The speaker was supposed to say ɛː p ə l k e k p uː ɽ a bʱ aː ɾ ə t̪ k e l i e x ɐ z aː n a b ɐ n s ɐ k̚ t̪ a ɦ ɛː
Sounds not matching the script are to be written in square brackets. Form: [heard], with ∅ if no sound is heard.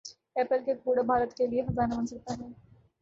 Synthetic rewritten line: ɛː p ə l k e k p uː ɽ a bʱ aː ɾ ə t̪ k e l i e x ɐ z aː n a b ɐ n s ɐ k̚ t̪ a ɦ ɛː